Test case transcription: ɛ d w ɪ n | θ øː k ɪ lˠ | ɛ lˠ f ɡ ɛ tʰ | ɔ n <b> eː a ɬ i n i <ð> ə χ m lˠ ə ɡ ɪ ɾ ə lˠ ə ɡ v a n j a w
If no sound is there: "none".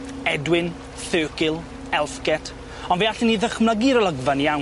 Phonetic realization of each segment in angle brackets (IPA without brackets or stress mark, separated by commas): v, ð